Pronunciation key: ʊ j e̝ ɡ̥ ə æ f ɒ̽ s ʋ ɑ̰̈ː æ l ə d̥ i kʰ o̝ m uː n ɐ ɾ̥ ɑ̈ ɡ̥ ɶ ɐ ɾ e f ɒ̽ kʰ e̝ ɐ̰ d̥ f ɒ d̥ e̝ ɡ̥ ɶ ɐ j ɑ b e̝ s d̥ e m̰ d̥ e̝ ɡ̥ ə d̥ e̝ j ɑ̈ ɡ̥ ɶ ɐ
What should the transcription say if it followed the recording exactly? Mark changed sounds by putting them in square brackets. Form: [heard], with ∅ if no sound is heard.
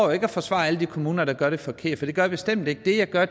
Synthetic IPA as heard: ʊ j e̝ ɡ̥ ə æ f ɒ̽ s ʋ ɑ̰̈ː æ l ə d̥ i kʰ o̝ m uː n ɐ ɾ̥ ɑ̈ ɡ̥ ɶ ɐ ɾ e f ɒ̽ kʰ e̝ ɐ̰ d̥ f ɒ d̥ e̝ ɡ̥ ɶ ɐ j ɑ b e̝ s d̥ e m̰ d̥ e̝ ɡ̥ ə d̥ e̝ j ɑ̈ ɡ̥ ɶ ɐ